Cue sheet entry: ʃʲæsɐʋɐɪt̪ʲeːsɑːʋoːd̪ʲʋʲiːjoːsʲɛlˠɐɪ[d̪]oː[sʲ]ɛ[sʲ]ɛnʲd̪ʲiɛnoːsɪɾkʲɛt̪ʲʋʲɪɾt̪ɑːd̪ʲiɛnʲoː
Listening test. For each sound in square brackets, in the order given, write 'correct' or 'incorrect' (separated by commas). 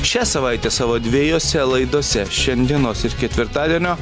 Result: correct, correct, incorrect